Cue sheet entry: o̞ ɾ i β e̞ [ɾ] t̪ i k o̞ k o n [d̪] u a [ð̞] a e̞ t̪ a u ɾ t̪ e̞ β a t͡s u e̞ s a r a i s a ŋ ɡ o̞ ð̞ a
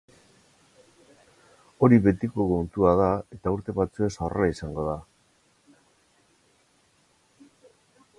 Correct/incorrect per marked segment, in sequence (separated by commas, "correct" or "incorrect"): incorrect, incorrect, correct